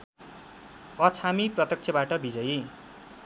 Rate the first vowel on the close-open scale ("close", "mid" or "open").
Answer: mid